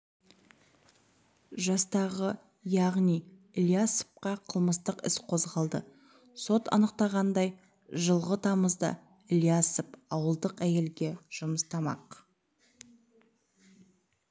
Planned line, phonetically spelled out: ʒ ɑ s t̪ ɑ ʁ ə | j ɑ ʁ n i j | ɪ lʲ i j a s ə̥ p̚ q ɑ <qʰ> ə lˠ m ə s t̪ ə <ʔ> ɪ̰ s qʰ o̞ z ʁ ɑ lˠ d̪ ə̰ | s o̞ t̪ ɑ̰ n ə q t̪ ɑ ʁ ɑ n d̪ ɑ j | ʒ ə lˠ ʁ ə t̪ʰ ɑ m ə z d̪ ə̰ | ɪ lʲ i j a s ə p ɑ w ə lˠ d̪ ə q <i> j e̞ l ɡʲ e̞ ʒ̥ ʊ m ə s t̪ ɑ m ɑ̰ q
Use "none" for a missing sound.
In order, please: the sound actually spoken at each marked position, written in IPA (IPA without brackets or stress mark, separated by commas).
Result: qʰ, q, æ